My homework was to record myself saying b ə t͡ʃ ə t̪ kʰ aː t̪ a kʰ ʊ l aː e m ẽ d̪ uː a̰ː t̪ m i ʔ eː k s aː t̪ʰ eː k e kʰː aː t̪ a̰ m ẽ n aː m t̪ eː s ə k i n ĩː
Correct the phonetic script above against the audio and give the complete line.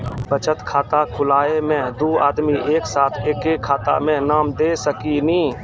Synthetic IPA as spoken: b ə t͡ʃ ə t̪ kʰ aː t̪ a kʰ ʊ l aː e m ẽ d̪ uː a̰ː d̪ m i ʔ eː k s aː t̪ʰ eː k e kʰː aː t̪ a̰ m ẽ n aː m d̪ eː s ə k i n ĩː